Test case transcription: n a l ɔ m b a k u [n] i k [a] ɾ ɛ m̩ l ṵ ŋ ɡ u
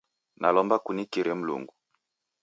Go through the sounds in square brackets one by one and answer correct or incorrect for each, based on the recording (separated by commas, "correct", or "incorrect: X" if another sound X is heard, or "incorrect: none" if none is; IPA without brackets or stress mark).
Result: correct, incorrect: i